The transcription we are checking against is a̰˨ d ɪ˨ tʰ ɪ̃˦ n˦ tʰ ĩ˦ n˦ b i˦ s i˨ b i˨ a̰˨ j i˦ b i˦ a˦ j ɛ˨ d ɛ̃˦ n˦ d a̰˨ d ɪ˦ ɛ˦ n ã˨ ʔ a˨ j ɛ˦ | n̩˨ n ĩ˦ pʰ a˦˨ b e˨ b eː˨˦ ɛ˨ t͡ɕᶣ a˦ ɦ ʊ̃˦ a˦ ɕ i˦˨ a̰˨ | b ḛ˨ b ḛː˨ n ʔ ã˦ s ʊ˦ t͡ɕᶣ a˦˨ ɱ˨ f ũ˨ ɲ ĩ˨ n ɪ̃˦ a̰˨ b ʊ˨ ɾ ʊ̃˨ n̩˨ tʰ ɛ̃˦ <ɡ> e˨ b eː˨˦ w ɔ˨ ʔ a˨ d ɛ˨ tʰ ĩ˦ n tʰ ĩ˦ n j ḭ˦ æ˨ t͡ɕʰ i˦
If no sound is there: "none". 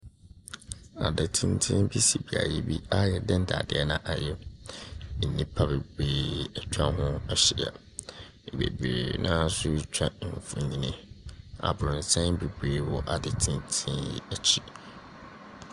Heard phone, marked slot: b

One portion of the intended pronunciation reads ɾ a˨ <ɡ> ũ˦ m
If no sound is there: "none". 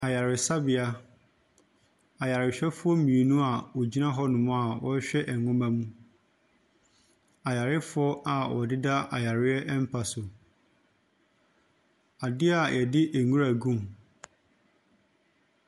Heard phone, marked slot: ɡ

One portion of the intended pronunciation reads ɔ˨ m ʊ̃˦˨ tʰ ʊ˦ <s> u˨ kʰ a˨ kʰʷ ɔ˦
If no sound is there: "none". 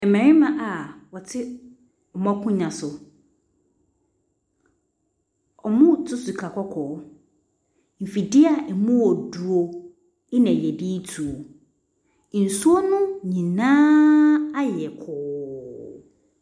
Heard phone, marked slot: s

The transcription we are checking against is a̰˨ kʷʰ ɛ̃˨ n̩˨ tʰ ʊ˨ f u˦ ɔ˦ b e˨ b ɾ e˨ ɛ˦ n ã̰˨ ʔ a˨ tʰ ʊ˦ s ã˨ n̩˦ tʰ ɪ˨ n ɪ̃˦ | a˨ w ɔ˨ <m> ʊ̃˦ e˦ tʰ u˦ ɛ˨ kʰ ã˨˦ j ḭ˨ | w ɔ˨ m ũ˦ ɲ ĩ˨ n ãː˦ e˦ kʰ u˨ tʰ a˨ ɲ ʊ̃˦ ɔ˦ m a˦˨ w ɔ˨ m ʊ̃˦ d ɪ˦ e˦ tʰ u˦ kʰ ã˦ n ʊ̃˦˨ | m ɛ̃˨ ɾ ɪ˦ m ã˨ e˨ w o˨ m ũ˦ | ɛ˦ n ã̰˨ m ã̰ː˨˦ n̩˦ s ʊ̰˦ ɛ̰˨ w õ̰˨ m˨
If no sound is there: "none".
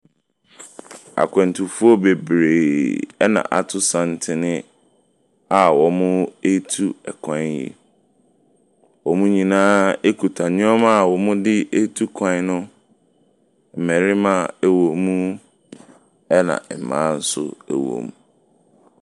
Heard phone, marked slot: m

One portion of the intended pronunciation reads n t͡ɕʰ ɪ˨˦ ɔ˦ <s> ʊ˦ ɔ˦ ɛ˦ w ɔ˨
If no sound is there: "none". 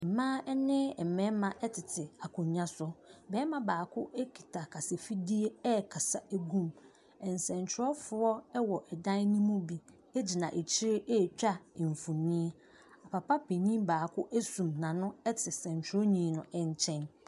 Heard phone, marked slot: f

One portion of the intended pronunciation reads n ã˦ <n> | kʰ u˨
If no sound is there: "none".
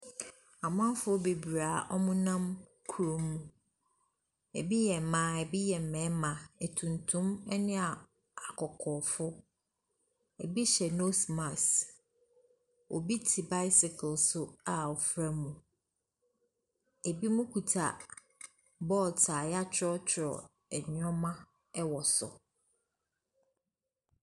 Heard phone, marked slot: m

